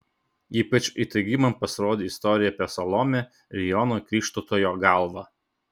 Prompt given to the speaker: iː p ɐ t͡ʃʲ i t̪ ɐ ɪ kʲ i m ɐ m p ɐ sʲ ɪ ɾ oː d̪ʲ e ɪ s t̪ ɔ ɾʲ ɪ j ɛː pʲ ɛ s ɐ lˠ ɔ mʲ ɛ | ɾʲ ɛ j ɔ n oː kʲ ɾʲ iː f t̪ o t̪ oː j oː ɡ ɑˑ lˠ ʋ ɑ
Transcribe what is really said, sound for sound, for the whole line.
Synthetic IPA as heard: iː p ɐ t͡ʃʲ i t̪ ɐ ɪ ɡʲ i m ɐ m p ɐ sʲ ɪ ɾ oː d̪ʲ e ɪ s t̪ ɔ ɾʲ ɪ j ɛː pʲ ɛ s ɐ lˠ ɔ mʲ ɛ | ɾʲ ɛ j ɔ n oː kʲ ɾʲ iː ʃ t̪ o t̪ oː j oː ɡ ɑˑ lˠ ʋ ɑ